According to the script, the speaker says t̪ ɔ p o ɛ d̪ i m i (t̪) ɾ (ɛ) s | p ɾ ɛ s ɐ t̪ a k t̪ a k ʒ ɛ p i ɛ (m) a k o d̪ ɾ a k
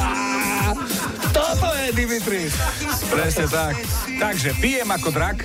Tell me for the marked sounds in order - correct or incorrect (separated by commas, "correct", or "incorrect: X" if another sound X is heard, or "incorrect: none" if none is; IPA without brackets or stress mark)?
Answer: correct, incorrect: i, correct